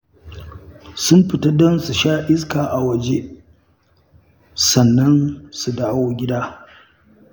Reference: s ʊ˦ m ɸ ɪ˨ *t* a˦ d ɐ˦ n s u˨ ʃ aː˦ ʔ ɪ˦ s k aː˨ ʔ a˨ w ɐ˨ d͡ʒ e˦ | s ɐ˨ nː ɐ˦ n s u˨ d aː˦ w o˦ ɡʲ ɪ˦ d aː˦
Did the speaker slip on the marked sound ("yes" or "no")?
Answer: no